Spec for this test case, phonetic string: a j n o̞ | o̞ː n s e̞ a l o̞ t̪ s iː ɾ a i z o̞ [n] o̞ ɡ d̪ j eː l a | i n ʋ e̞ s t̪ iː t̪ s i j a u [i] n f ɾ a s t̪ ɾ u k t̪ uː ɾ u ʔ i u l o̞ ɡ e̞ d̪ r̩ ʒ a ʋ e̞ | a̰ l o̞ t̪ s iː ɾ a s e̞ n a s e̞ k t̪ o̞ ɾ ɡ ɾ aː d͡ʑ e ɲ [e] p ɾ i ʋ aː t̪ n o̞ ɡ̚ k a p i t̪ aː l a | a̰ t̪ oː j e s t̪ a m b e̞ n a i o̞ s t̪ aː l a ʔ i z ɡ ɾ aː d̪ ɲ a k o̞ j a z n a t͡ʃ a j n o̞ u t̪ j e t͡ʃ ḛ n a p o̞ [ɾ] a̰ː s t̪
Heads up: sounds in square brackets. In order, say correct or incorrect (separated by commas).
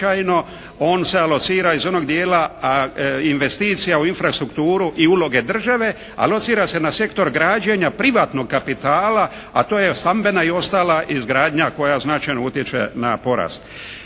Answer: correct, correct, incorrect, correct